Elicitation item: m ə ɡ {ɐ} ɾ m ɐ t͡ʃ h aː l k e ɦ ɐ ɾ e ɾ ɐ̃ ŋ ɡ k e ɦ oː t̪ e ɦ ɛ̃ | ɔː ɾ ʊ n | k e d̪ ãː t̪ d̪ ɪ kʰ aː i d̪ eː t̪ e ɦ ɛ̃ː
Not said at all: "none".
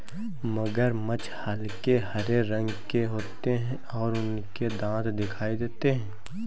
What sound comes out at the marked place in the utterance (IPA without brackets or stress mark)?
ə